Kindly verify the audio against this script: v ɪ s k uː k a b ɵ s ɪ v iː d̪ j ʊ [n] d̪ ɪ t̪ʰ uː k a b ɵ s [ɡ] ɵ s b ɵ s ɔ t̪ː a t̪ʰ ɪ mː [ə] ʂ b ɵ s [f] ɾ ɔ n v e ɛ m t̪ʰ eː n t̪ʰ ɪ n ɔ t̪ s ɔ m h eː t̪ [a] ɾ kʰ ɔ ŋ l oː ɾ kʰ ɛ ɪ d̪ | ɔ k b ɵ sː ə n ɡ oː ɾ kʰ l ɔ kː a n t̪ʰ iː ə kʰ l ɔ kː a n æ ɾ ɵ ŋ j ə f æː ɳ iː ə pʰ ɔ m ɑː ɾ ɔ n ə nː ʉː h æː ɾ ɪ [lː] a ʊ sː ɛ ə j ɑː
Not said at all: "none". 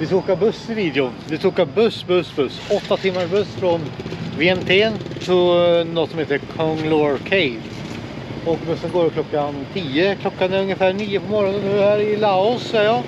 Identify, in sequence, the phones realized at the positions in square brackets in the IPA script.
n, b, a, f, ə, l

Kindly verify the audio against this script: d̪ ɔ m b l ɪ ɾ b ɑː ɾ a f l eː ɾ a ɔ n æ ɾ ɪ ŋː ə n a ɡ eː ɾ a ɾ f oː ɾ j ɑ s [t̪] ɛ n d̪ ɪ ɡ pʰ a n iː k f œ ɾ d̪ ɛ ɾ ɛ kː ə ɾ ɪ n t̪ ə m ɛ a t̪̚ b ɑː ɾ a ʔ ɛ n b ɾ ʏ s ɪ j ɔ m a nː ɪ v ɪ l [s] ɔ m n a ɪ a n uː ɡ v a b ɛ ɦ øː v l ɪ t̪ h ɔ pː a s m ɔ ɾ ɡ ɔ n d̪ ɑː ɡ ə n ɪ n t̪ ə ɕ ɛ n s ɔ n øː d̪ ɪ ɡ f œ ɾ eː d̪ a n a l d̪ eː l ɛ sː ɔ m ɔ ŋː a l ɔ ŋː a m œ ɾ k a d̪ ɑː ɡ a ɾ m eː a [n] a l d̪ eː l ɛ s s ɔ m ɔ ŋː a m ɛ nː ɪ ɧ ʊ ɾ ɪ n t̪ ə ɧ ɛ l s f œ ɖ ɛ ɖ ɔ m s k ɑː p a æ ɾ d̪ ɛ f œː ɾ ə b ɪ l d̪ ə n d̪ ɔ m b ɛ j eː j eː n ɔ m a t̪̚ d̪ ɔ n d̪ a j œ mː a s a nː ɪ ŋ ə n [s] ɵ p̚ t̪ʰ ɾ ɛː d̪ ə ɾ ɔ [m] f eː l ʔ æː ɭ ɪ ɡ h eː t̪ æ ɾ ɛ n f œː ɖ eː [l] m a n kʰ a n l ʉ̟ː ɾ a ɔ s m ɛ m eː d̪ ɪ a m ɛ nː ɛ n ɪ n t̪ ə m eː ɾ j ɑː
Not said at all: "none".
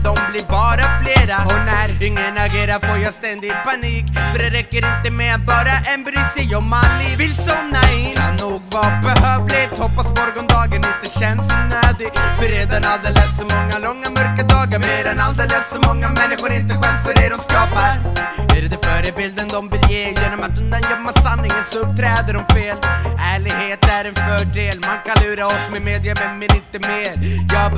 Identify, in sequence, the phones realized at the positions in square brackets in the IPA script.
t̪, s, n, s, m, l

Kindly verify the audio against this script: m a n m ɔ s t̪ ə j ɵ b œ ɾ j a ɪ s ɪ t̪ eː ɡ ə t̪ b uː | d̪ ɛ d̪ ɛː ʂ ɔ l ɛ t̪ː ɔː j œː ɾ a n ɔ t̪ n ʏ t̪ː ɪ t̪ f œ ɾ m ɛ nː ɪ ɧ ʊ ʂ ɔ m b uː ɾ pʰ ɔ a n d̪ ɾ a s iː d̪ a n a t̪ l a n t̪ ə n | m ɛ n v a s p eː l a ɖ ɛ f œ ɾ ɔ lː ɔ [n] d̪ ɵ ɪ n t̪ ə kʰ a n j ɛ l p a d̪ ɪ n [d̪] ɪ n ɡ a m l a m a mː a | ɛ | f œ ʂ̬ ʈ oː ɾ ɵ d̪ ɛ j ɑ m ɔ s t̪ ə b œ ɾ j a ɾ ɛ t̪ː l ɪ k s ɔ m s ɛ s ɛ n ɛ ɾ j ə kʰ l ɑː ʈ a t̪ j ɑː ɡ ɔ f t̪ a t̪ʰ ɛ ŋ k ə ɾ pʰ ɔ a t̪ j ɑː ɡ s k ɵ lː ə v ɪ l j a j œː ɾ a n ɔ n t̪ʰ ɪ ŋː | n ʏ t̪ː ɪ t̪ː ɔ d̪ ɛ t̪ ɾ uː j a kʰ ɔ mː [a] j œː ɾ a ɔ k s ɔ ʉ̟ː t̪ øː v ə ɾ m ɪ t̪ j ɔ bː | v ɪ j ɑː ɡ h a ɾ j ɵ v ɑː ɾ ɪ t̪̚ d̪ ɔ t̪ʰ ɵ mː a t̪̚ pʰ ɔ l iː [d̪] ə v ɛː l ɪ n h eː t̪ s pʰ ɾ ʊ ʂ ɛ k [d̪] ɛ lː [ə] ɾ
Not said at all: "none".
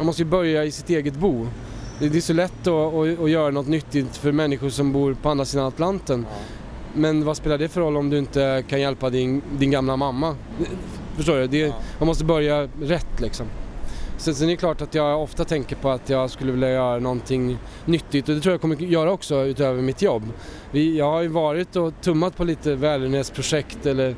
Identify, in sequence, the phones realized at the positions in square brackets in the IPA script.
m, d̪, ə, t̪, t̪, ə

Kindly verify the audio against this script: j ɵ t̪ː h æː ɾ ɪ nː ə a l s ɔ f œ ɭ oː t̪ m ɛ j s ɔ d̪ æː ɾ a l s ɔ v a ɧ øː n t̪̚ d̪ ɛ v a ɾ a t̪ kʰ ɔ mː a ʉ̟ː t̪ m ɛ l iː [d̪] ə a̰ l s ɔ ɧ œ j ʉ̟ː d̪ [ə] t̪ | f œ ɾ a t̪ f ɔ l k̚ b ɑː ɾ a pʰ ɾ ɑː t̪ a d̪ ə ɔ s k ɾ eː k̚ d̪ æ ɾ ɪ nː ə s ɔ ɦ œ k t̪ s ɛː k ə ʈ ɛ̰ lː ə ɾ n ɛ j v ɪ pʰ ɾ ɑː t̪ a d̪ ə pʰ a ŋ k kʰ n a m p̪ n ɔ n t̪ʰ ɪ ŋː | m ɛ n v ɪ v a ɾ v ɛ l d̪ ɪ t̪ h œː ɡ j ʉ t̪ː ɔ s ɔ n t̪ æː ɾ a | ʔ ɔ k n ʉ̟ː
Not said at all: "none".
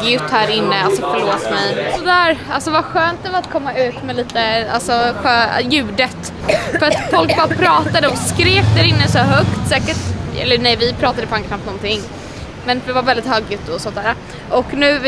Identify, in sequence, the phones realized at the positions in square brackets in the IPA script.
t̪, ə

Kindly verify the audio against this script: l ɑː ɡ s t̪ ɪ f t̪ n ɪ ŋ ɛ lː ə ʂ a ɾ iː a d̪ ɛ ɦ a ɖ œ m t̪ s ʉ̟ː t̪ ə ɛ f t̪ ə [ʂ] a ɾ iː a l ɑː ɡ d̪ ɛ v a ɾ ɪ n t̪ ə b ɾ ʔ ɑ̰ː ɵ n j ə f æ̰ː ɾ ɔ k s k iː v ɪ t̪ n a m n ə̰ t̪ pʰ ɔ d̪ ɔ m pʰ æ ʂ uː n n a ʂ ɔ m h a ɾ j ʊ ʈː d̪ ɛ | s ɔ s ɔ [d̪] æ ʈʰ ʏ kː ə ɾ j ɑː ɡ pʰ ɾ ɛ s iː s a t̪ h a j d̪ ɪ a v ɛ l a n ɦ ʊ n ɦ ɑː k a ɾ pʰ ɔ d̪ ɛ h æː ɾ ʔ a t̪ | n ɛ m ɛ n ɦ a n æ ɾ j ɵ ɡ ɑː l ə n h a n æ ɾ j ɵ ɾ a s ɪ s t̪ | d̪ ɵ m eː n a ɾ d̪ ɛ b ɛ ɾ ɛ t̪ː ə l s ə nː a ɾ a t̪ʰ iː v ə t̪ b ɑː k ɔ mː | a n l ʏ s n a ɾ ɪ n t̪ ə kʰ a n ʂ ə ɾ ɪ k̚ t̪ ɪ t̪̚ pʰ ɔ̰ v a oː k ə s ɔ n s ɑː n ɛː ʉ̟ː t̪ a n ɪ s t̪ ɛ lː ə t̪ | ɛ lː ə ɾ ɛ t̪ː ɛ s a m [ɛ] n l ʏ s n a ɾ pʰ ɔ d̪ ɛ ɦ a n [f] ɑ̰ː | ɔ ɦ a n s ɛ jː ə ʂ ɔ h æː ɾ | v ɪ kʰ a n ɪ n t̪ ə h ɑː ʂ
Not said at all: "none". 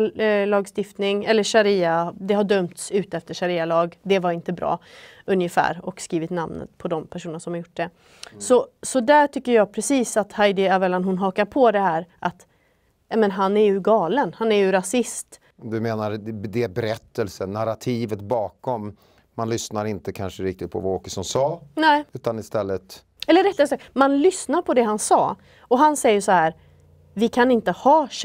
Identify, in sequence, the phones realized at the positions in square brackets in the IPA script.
ʂ, d̪, a, s

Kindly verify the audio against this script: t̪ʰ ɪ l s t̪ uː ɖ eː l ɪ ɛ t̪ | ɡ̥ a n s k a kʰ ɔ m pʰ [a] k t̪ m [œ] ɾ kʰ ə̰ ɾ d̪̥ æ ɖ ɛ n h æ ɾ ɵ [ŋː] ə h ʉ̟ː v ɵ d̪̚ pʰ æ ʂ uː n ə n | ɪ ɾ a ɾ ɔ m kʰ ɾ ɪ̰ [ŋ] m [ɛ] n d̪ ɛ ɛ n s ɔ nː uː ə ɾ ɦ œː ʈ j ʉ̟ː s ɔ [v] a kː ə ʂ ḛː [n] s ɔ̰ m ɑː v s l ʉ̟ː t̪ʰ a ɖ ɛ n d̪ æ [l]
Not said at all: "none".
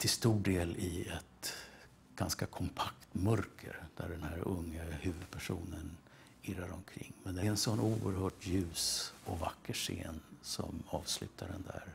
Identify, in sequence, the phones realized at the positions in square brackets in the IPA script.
a, œ, ŋː, ŋː, ɛ, v, n, ɾ

